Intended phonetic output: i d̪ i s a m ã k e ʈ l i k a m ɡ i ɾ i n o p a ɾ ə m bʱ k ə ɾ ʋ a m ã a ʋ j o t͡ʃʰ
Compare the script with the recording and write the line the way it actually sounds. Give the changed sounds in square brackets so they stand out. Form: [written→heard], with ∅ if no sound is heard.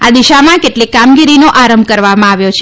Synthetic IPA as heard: [i→a] d̪ i [s→ʃ] a m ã k e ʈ l i k a m ɡ i ɾ i n o [p→ʔ] a ɾ ə m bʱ k ə ɾ ʋ a m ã a ʋ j o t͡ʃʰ